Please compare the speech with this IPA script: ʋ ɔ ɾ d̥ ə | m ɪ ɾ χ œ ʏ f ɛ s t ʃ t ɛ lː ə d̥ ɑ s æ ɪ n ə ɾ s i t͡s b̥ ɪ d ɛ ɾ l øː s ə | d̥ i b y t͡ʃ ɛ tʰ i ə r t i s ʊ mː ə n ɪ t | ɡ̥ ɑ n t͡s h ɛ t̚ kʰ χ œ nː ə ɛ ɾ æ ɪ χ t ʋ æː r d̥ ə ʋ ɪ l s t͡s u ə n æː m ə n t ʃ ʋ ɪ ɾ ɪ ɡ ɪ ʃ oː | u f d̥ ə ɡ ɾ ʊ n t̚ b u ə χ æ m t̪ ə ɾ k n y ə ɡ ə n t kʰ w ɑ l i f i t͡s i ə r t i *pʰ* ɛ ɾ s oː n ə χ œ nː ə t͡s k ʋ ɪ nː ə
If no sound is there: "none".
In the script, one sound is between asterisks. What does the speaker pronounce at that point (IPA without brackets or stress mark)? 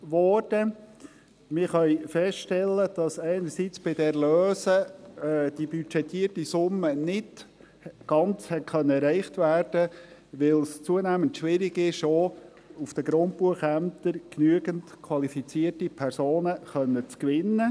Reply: pʰ